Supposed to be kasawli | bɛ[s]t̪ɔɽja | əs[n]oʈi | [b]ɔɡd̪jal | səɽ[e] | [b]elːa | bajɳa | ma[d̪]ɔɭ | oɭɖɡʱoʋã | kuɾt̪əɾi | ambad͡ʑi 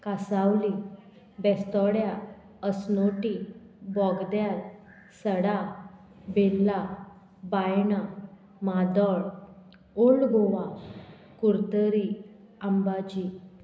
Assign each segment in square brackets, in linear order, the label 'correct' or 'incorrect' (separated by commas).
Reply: correct, correct, correct, incorrect, correct, correct